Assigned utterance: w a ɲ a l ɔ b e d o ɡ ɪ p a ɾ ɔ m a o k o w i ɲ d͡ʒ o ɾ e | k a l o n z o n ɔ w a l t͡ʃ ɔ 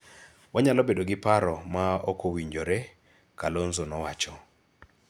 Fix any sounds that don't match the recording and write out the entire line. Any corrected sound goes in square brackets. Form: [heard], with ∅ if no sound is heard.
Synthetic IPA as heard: w a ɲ a l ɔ b e d o ɡ ɪ p a ɾ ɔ m a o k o w i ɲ d͡ʒ o ɾ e | k a l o n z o n ɔ w a [∅] t͡ʃ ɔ